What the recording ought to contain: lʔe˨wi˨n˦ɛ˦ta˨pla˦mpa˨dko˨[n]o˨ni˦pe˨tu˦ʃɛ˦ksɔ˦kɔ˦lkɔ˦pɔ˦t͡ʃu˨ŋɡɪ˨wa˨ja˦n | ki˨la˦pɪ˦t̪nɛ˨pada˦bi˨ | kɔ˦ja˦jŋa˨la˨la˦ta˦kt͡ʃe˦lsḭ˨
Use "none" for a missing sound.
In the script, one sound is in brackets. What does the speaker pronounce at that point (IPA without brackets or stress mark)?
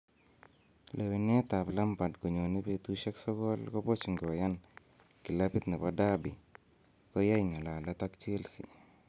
ɲ